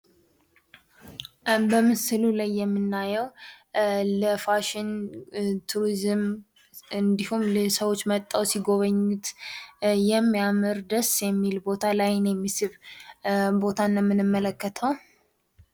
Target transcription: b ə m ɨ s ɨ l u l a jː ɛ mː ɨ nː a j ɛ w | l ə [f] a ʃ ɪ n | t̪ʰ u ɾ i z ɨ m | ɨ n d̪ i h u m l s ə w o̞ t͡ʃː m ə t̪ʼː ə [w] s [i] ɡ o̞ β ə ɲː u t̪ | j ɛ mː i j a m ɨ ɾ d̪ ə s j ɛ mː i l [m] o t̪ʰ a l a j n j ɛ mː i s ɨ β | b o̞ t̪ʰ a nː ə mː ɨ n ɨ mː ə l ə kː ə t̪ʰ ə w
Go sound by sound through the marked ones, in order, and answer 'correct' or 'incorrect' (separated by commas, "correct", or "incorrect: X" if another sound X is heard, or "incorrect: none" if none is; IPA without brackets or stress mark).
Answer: correct, correct, correct, incorrect: b